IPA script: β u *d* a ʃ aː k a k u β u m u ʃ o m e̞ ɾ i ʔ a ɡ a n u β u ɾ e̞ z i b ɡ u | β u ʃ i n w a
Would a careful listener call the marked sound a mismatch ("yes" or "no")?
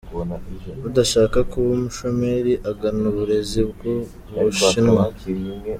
no